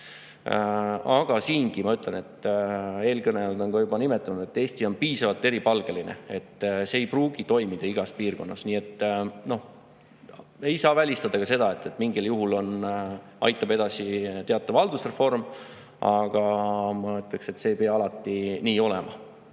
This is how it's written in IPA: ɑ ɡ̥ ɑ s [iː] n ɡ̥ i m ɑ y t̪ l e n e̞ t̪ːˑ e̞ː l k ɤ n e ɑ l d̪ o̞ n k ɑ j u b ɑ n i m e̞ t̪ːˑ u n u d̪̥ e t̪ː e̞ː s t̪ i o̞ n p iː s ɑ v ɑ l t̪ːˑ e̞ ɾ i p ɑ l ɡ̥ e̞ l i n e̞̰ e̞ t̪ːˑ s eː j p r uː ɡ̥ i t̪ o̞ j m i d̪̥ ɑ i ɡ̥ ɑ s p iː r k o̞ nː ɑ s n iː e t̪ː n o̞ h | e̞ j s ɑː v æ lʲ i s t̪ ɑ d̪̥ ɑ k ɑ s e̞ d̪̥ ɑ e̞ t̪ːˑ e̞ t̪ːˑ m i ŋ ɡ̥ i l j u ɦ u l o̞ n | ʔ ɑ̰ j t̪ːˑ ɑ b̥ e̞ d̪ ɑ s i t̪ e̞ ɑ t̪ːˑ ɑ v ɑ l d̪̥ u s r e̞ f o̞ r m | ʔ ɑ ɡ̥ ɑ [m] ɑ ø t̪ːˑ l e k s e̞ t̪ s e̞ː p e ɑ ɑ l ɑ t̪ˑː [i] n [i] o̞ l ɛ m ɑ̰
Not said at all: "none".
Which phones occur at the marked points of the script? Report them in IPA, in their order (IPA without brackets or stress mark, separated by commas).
iː, m, i, iː